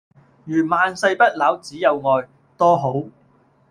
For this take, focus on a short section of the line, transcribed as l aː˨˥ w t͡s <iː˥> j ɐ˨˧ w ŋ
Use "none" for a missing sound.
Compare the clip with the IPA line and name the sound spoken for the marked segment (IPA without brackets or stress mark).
iː˨˥